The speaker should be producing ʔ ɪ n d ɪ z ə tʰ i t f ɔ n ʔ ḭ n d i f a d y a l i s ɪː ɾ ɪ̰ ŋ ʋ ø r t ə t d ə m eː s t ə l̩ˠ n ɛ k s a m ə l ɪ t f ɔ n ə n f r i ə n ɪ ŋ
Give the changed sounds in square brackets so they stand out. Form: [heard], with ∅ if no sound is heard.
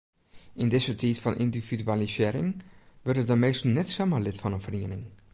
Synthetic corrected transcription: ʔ ɪ n d ɪ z ə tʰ i t f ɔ n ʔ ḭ n d i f [i] d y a l i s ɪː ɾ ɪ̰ ŋ ʋ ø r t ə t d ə m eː s t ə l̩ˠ n ɛ [t] s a m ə l ɪ t f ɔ n ə n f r i ə n ɪ ŋ

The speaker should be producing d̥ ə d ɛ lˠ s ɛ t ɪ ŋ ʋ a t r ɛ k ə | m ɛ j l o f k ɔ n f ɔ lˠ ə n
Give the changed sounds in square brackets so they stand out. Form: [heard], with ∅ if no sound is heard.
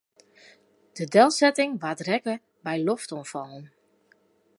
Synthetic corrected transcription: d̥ ə d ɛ lˠ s ɛ t ɪ ŋ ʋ a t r ɛ k ə | [b] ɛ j l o f [t] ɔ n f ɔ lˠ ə n

